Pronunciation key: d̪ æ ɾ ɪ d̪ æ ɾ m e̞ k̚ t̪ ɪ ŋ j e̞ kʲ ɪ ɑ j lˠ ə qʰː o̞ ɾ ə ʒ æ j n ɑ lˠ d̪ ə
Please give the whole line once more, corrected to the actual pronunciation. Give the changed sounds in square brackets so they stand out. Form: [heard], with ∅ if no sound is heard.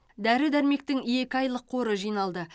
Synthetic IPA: d̪ æ ɾ ɪ d̪ æ ɾ m e̞ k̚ t̪ ɪ ŋ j e̞ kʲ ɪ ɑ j lˠ ə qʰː o̞ ɾ ə ʒ [i] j n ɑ lˠ d̪ ə